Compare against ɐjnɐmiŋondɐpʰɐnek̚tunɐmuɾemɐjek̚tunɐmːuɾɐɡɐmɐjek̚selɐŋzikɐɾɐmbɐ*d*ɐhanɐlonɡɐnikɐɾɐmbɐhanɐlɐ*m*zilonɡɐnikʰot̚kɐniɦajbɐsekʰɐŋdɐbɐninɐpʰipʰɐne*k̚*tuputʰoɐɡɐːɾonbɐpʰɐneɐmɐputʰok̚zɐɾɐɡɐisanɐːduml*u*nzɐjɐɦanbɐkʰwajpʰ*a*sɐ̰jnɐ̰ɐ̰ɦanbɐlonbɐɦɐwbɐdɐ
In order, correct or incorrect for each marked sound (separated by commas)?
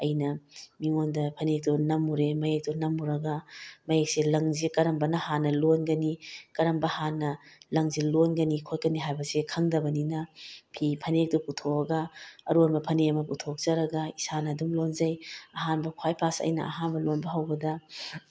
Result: incorrect, incorrect, correct, incorrect, correct